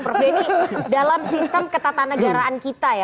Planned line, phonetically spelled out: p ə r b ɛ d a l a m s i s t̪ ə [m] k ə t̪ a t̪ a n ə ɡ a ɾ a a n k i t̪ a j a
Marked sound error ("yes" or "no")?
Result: no